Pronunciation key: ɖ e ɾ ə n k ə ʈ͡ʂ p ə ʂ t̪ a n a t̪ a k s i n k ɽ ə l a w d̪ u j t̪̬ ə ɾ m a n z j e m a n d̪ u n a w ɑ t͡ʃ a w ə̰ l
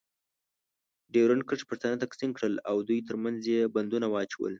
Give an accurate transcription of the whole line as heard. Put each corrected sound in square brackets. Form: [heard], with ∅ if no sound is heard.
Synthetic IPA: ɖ e ɾ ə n k ə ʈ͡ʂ p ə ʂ t̪ a n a t̪ a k s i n k ɽ ə l a w d̪ u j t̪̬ ə ɾ m a n z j e [b] a n d̪ u n a w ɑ t͡ʃ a w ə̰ l